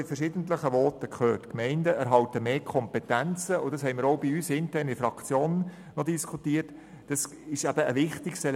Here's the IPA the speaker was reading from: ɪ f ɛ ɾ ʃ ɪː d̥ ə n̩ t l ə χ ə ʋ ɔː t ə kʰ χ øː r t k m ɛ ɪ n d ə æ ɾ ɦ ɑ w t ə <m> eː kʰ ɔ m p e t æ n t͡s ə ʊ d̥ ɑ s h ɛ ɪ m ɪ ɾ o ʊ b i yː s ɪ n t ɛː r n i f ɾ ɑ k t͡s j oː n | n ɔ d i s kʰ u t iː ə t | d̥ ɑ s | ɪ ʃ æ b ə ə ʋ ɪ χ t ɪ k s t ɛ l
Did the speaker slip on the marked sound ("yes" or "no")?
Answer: no